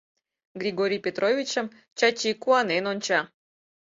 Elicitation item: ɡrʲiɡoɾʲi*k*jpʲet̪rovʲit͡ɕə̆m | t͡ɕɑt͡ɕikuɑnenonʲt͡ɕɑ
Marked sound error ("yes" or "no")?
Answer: yes